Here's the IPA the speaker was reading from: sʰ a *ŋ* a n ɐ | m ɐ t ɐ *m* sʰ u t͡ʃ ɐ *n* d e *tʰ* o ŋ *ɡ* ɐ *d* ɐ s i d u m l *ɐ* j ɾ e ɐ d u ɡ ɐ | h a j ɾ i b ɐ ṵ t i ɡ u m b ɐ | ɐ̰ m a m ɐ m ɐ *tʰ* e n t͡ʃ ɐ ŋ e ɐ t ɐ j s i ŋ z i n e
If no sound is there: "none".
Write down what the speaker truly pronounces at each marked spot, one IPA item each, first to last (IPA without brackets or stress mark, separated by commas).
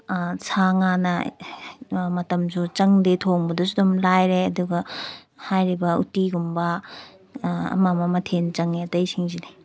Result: ŋ, m, ŋ, tʰ, b, d, a, tʰ